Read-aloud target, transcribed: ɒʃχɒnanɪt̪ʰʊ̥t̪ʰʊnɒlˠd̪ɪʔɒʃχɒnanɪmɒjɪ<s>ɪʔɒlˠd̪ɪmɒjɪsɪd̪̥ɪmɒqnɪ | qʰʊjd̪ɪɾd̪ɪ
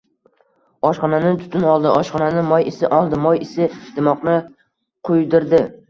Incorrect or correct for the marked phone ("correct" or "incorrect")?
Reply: correct